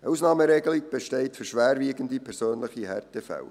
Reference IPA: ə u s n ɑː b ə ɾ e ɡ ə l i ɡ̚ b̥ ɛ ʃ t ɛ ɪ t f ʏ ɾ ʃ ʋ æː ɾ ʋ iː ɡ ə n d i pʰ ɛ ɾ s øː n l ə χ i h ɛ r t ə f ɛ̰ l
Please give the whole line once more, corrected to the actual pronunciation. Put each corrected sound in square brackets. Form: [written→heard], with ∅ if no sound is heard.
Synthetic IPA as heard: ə u s n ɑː [b→m] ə ɾ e ɡ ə l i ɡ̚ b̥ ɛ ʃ t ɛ ɪ t f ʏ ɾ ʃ ʋ æː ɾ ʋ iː ɡ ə n d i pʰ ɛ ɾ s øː n l ə χ i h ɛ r t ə f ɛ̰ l